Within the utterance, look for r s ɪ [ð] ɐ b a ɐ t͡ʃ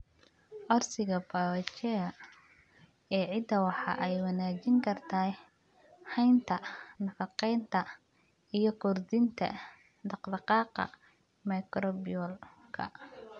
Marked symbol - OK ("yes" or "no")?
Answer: no